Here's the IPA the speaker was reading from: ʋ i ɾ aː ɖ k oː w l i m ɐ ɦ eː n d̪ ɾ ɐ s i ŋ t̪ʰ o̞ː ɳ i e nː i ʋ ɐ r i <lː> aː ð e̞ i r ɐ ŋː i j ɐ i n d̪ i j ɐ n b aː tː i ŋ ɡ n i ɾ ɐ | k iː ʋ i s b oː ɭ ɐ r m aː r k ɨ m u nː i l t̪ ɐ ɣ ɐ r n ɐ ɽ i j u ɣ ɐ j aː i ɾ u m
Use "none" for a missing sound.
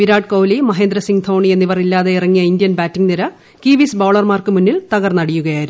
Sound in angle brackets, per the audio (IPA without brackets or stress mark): lː